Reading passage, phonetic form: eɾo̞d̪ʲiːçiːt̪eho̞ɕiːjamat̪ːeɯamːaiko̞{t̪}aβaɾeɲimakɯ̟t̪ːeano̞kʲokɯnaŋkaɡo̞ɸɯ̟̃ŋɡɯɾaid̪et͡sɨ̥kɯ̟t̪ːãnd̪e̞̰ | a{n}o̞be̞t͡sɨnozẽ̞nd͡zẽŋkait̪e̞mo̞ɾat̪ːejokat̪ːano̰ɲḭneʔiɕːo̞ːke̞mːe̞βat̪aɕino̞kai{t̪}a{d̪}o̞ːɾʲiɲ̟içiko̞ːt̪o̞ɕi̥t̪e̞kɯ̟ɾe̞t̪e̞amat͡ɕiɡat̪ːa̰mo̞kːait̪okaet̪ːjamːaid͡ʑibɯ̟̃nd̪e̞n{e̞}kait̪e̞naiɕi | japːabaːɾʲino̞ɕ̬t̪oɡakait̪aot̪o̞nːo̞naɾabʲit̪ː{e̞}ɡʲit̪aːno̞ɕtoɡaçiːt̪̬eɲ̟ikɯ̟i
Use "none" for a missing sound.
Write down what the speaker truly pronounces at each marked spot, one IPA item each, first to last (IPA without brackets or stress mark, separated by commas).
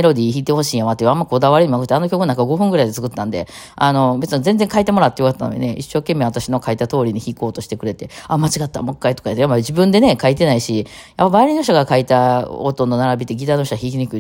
d̪, n, t̪, t̪, e̞, e̞